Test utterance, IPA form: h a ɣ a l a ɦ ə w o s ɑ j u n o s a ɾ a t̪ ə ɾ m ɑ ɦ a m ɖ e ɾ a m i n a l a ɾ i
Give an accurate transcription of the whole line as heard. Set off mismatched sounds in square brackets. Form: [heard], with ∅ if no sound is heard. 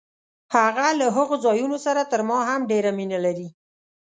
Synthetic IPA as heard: h a ɣ a l a ɦ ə [ɣ] o [z] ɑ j u n o s a ɾ a t̪ ə ɾ m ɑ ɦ a m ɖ e ɾ a m i n a l a ɾ i

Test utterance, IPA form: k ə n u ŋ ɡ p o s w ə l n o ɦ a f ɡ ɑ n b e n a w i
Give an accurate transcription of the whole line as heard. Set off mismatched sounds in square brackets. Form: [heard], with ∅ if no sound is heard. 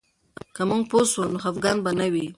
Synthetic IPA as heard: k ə [m] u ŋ ɡ p o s w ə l n o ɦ a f ɡ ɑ n b [a] n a w i

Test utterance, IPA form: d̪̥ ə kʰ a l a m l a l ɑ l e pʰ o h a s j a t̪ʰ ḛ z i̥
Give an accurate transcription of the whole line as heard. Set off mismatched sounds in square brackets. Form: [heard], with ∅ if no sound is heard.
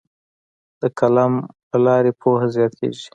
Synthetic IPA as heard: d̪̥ ə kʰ a l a m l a l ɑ [ɾ] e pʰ o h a [z] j [ɑ] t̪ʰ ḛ [ʒ] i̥

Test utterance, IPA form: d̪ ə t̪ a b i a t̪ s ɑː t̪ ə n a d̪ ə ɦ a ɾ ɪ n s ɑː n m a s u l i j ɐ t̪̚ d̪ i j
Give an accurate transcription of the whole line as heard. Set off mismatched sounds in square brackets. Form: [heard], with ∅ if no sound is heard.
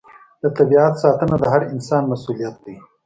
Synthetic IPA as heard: d̪ ə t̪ a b i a t̪ s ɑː t̪ ə n a d̪ ə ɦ a ɾ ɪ n s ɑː n m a s u l i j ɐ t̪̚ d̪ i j

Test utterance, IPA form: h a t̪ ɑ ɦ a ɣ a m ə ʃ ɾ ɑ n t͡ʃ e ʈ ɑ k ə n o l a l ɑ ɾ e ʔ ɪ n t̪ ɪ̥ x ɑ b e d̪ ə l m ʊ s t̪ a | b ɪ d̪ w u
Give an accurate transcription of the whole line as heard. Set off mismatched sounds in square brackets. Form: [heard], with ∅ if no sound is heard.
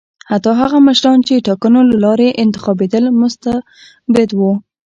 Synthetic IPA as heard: h a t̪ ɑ ɦ a ɣ a m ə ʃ ɾ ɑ n t͡ʃ e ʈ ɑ k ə n o l a l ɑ ɾ e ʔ ɪ n t̪ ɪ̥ x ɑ b e d̪ ə l m ʊ s t̪ a | b ɪ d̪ w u

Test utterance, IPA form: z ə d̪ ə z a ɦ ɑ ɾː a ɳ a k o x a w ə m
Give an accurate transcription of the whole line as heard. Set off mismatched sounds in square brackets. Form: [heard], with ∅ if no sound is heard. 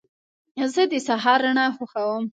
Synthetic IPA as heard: z ə d̪ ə [s] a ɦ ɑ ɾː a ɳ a [x] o x a w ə m

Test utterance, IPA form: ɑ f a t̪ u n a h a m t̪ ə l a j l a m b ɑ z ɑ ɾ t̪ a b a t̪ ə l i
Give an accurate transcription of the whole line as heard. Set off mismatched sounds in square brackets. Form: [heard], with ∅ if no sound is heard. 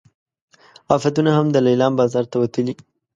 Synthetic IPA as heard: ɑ f a t̪ u n a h a m [d̪] ə l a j l [ɑ] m b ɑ z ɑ ɾ t̪ a [w] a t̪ ə l i

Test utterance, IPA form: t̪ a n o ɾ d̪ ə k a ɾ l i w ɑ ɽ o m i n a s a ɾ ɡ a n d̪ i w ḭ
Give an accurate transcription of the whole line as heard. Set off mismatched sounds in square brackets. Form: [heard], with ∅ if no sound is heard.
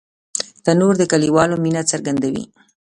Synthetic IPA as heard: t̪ a n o ɾ d̪ ə k a [∅] l i w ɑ [l] o m i n a [t͡s] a ɾ ɡ a n d̪ [a] w ḭ

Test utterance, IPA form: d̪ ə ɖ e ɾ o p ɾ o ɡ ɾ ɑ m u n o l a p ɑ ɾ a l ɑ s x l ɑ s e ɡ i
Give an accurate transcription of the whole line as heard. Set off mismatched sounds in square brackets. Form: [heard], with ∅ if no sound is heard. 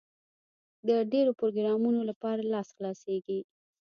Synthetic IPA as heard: d̪ ə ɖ e ɾ o p ɾ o ɡ ɾ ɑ m u n o l a p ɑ ɾ a l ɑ s x l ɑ s e ɡ i

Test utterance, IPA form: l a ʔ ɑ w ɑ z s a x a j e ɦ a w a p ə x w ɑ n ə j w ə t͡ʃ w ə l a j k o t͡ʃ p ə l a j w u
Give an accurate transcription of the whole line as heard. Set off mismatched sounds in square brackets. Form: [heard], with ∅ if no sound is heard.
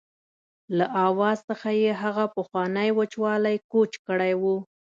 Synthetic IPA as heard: l a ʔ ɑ w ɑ z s [ə] x a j e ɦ a [ɣ] a p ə x w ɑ n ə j w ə t͡ʃ w [ɑ] l a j k o t͡ʃ [k] ə [ɽ] a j w u

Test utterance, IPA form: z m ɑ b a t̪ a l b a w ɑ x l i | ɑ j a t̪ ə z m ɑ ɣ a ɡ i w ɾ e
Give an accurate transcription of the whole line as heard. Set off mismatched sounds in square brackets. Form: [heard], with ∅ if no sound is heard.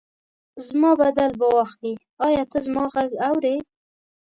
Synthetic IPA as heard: z m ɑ b a [d̪] a l b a w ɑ x l i | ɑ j [ɑ] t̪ ə z m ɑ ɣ a ɡ [a] w ɾ e

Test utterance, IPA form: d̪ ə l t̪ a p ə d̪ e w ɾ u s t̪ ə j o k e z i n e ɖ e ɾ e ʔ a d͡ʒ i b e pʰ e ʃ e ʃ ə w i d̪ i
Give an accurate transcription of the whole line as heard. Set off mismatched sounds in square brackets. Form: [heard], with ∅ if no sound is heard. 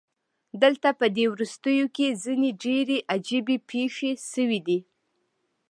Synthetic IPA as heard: d̪ ə l t̪ a p ə d̪ e w ɾ u s t̪ ə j o k e z i n e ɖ e ɾ e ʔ a d͡ʒ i b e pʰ e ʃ e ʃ ə w i d̪ i

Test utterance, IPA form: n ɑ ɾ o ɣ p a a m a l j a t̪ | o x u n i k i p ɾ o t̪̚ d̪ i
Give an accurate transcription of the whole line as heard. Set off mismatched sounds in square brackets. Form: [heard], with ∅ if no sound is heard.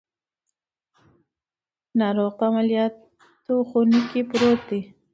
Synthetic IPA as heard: n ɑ ɾ o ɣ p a a m a l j [ɑ] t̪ | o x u n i k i p ɾ o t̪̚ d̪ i

